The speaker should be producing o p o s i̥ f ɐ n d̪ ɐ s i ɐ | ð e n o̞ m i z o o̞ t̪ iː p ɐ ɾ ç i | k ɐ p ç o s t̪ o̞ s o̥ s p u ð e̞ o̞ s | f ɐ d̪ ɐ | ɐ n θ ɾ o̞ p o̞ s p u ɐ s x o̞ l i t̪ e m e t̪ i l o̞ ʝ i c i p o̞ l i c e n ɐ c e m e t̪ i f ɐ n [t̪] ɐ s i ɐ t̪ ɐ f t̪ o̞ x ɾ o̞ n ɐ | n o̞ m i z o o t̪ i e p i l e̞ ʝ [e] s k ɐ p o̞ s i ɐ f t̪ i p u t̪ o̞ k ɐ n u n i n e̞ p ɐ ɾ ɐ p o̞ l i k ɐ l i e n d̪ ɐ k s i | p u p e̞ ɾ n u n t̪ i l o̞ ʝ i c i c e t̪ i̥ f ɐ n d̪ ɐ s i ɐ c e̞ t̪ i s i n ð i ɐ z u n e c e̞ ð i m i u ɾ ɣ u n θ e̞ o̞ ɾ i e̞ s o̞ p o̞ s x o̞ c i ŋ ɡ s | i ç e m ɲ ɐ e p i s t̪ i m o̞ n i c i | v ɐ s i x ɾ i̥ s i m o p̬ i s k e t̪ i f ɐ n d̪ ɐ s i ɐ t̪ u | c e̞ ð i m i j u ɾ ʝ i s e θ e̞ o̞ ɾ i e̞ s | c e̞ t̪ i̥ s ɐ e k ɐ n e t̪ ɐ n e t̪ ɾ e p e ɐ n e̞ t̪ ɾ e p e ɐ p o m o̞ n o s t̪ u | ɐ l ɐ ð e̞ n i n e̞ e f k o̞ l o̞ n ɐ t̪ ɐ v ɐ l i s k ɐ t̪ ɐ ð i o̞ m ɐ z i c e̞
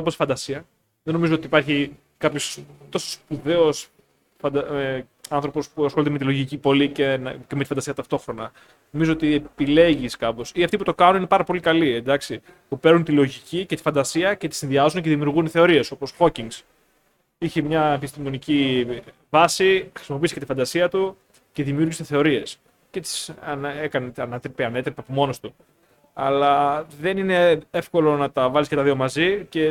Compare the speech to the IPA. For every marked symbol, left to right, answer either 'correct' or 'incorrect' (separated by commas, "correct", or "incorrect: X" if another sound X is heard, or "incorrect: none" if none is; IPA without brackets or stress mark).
incorrect: d̪, incorrect: i